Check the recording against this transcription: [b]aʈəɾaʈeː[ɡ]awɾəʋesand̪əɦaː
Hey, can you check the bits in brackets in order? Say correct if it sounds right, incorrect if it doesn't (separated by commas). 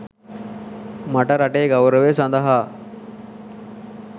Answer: incorrect, correct